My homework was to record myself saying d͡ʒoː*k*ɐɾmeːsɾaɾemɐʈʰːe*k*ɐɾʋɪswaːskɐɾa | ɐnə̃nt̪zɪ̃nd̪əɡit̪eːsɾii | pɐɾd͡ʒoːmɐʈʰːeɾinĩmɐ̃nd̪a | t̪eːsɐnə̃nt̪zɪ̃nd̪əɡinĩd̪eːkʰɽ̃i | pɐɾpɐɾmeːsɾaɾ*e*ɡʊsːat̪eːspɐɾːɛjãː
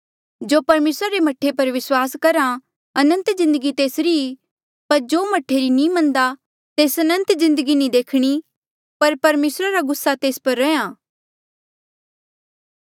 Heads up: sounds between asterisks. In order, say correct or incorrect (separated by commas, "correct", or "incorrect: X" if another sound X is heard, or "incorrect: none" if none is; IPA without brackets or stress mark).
incorrect: p, incorrect: p, incorrect: a